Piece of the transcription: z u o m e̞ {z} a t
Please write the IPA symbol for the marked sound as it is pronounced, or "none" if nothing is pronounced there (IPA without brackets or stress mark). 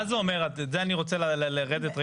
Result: ʁ